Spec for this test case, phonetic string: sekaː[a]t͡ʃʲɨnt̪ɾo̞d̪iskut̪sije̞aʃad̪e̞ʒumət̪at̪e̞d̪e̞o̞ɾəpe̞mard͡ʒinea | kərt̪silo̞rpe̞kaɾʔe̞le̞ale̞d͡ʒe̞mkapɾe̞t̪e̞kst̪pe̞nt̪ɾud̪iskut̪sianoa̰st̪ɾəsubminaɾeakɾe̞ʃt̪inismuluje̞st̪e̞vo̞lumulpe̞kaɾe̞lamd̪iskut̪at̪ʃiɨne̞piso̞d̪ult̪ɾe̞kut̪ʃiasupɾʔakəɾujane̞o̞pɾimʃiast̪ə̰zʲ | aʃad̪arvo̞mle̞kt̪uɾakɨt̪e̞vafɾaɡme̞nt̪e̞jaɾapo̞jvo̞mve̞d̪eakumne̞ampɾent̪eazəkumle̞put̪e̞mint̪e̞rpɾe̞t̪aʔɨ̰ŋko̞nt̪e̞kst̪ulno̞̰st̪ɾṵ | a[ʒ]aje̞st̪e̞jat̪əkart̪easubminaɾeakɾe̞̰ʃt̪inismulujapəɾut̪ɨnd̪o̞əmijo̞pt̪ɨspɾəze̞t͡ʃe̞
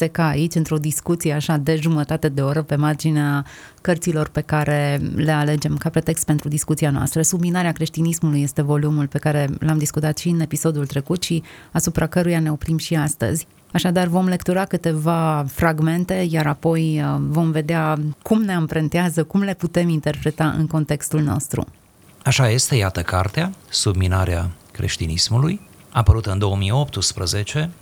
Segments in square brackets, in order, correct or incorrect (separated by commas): incorrect, incorrect